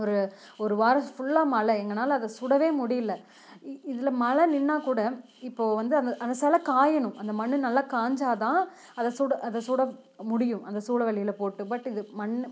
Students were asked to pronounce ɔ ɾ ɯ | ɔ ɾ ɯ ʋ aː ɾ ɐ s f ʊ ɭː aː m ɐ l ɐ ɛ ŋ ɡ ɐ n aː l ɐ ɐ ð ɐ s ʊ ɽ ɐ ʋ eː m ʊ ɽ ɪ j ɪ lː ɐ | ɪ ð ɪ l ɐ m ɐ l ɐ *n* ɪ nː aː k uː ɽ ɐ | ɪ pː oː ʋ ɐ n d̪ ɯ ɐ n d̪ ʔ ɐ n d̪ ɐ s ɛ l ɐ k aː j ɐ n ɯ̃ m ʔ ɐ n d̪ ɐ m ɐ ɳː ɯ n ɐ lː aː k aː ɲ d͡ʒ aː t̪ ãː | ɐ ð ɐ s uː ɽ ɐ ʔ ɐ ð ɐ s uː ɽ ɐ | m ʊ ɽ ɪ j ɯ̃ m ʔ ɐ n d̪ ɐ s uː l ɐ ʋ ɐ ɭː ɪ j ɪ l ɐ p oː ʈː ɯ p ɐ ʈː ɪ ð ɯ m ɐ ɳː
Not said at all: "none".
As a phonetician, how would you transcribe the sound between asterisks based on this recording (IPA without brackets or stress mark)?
n